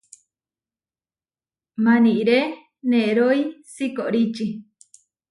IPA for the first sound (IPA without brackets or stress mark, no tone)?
m